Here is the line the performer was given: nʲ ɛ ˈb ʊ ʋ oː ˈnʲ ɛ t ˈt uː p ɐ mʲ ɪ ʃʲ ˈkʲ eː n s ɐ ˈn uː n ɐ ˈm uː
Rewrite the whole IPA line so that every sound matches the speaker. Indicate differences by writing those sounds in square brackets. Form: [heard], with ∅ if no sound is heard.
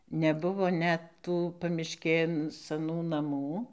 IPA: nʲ ɛ ˈb ʊ ʋ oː ˈnʲ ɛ t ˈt uː p ɐ mʲ ɪ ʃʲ ˈkʲ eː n s ɐ ˈn uː n ɐ ˈm uː